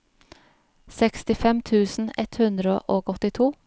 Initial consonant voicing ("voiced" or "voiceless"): voiceless